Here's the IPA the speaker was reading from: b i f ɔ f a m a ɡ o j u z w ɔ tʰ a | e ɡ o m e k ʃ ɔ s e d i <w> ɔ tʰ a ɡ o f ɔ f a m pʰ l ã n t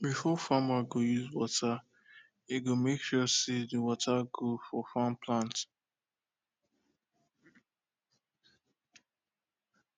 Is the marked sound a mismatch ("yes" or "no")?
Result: no